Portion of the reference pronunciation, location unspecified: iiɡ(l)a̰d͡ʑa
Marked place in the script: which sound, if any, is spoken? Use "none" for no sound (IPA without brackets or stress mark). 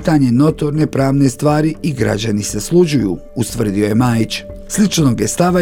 ɾ